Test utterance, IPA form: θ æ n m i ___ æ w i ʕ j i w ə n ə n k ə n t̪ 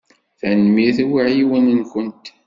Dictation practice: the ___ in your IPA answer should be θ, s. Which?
θ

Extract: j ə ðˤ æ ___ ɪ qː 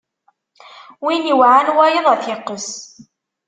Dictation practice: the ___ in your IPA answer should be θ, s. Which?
θ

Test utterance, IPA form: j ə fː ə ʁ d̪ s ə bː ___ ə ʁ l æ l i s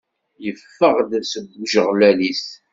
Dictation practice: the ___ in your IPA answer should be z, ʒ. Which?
ʒ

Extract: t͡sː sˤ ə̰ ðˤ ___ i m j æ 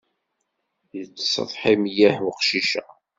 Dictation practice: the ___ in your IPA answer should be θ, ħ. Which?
ħ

